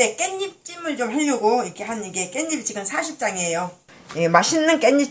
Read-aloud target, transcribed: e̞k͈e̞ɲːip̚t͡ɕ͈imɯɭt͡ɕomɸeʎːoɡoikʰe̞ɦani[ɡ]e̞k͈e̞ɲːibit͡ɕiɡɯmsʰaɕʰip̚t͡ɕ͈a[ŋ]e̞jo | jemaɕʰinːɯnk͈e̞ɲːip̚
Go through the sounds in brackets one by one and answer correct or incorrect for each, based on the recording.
correct, correct

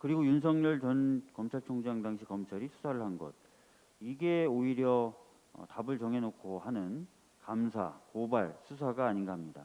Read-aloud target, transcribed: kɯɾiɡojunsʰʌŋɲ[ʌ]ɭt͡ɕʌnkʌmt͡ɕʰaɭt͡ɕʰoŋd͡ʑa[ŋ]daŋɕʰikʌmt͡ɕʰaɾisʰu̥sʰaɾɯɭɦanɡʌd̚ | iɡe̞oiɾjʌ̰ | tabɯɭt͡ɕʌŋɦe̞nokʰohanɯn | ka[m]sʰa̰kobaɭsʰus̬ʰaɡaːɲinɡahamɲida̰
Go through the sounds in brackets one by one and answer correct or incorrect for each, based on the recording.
correct, correct, correct

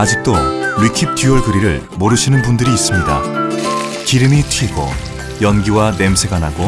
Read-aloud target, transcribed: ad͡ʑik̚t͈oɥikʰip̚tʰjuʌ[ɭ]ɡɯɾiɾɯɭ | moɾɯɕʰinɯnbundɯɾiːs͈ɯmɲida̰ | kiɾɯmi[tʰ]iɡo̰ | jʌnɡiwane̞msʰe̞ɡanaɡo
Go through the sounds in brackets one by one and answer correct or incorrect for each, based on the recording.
correct, correct

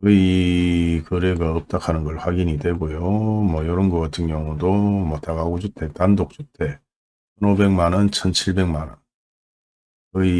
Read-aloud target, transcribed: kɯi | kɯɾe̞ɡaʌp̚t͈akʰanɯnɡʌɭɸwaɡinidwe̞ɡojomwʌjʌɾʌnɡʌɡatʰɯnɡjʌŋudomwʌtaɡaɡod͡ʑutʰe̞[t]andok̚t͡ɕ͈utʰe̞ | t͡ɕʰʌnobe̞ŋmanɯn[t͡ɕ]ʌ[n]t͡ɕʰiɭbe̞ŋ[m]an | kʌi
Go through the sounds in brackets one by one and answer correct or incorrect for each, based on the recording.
correct, incorrect: t͡ɕʰ, correct, correct

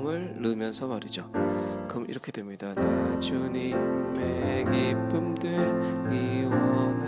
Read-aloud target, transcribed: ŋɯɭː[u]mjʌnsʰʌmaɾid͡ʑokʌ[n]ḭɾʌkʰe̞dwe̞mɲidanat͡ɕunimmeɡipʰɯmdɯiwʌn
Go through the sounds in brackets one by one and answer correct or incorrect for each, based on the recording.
incorrect: ɯ, incorrect: m

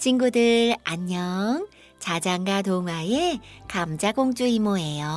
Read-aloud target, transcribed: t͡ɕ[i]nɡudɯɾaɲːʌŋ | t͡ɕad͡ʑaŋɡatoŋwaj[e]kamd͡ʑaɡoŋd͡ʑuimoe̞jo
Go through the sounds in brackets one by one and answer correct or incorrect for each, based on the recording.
correct, correct

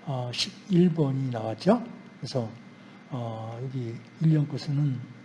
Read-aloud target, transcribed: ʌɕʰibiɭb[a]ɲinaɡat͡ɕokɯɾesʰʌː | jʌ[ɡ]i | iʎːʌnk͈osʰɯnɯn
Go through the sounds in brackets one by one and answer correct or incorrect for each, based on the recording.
incorrect: ʌ, correct

